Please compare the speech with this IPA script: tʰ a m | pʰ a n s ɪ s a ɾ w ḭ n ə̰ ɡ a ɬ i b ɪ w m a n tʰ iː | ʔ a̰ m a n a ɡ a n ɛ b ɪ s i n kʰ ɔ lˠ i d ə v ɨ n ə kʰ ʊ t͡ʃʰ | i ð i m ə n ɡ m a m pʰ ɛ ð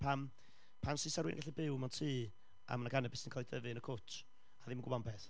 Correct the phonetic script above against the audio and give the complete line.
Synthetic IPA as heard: pʰ a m | pʰ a n s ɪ s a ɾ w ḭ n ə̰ ɡ a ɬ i b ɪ w m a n tʰ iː | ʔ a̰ m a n a ɡ a n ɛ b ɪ s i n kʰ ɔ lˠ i d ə v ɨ n ə kʰ ʊ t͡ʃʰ | a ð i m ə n ɡ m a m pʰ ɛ θ